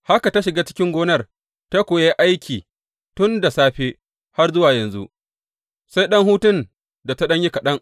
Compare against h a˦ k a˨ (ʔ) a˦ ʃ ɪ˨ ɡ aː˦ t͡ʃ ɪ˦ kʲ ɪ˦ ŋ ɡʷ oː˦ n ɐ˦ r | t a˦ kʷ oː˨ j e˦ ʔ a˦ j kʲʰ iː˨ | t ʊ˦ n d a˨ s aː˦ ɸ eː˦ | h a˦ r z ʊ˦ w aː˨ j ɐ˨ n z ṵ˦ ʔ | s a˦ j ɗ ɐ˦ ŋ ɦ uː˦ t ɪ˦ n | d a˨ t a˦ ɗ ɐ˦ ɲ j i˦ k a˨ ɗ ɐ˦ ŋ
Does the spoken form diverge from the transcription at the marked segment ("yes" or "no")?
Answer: yes